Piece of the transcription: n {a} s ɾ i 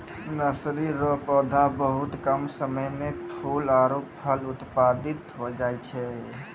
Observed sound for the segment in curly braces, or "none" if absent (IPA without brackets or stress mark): ə